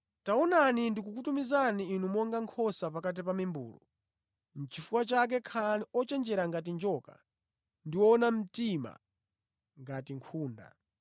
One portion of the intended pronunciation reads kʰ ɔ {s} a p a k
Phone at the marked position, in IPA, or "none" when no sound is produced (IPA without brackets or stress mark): s